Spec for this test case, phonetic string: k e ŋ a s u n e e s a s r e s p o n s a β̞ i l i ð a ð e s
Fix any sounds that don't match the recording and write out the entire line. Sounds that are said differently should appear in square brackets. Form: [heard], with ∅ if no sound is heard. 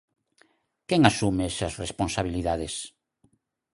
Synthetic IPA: k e ŋ a s u [m] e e s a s r e s p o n s a β̞ i l i ð a ð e s